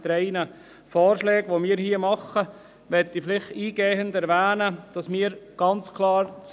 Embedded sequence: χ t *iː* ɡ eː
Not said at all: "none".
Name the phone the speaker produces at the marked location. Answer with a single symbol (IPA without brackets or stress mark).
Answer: iː